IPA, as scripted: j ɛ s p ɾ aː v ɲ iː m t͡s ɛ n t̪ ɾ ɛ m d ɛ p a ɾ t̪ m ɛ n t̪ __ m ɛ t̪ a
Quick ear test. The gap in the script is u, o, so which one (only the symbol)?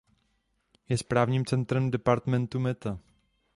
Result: u